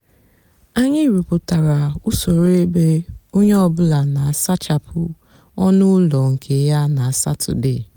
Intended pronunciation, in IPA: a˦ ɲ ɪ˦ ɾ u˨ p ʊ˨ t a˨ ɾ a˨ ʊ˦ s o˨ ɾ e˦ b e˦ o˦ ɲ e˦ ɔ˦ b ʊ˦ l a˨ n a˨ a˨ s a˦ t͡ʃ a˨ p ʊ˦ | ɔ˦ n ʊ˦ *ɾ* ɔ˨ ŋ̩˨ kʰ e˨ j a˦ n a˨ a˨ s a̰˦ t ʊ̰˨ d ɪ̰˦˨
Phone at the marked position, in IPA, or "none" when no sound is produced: l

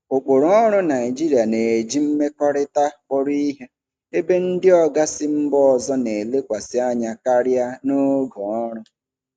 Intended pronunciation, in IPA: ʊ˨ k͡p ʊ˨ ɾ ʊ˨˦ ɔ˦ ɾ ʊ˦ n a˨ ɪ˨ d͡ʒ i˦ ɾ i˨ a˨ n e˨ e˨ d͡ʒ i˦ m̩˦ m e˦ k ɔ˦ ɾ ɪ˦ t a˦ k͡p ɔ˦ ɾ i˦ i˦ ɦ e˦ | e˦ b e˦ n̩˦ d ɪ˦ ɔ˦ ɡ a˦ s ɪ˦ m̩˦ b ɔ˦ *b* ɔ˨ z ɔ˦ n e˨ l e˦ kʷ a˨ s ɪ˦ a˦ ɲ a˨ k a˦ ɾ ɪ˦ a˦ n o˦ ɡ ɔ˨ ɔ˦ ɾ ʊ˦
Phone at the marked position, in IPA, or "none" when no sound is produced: none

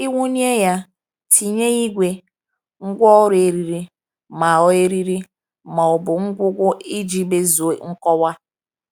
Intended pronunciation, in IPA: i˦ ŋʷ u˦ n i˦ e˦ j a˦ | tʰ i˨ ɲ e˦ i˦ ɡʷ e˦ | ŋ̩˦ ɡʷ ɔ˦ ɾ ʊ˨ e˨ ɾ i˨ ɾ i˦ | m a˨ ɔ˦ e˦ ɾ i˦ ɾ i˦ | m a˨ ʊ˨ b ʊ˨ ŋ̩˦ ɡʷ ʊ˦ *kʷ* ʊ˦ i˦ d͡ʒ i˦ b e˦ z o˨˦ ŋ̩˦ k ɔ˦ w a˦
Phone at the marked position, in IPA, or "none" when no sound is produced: ɡʷ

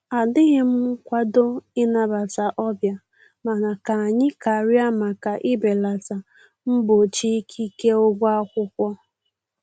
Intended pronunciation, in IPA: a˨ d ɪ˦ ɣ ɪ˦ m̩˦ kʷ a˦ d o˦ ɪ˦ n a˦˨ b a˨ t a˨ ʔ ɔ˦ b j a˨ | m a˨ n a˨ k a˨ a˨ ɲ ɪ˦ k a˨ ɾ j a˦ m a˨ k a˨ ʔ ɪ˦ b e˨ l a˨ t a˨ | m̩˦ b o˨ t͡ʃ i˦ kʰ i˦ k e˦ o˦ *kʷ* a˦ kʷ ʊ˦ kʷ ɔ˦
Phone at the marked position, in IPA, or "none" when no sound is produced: ɡʷ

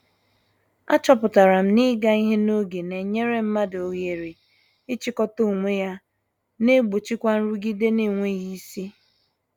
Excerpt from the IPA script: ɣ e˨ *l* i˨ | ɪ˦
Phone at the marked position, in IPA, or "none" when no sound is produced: ɾ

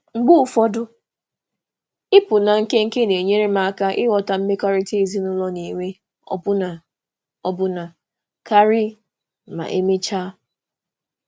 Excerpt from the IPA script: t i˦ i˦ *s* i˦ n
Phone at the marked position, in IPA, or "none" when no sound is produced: z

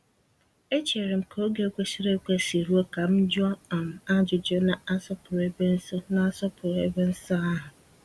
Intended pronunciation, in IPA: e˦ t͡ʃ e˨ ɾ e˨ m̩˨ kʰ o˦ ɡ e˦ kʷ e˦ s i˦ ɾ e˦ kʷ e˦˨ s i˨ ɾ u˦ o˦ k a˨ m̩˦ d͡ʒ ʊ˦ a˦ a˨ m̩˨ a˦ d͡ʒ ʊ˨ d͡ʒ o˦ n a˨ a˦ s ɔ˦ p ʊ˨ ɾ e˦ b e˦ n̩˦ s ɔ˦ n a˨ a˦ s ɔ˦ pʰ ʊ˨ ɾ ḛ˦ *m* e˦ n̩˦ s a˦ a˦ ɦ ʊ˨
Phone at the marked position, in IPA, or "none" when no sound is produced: b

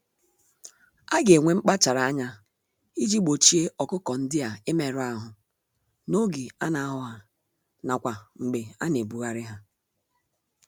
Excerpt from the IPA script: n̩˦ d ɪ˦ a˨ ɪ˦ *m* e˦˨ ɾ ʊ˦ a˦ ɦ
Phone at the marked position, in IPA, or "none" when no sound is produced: m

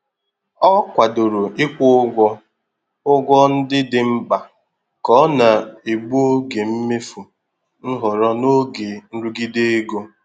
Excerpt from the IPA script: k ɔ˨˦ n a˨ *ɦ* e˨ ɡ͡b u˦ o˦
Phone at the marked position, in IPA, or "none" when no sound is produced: none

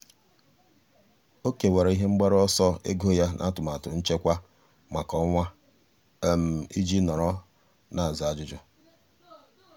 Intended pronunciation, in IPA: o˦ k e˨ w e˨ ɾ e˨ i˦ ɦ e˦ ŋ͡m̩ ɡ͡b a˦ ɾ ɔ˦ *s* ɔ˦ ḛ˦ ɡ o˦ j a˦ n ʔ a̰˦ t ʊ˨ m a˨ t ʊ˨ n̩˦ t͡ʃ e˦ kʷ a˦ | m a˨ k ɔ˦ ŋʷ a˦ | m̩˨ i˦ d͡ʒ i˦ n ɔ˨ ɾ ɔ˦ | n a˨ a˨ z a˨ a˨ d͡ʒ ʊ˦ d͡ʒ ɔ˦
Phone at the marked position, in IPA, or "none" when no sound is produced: s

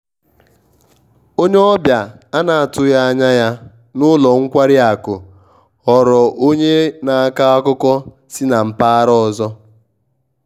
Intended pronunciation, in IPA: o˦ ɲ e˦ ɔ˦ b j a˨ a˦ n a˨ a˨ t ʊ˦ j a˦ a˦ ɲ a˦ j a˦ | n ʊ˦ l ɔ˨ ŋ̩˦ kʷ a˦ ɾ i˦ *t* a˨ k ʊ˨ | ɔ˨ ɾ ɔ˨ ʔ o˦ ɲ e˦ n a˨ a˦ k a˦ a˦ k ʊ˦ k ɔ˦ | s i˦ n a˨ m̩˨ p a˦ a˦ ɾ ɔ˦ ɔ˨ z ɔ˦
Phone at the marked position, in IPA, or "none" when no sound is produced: none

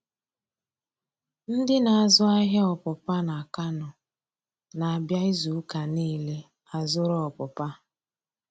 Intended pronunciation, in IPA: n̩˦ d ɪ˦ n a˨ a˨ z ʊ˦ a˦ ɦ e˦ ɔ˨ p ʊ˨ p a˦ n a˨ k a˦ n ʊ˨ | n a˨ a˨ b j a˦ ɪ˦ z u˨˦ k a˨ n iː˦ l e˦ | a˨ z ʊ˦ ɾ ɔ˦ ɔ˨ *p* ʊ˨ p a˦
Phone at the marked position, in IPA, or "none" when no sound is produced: p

